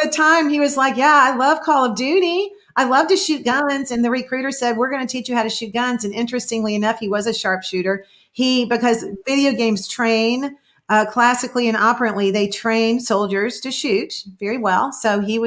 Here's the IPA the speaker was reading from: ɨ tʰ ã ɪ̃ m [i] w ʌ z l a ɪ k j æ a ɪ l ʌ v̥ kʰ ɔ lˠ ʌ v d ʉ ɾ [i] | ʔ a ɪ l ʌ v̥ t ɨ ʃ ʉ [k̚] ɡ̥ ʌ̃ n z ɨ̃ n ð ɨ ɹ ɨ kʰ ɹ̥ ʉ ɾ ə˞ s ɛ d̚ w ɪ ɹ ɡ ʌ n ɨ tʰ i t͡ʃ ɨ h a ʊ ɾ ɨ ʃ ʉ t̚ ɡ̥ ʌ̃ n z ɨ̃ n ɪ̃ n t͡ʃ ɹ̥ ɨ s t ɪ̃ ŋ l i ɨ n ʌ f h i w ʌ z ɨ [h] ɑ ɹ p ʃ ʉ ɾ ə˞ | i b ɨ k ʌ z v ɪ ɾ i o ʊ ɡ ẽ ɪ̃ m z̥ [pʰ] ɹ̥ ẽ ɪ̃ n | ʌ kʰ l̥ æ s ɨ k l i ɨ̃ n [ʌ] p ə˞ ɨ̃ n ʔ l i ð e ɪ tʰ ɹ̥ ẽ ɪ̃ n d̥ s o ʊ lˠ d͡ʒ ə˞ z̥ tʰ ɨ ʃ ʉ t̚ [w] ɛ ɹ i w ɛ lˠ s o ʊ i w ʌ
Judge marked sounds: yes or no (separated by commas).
yes, yes, no, no, no, no, no